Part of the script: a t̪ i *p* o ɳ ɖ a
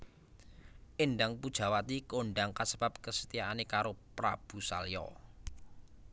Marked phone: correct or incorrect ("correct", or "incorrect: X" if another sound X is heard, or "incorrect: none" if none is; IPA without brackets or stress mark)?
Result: incorrect: k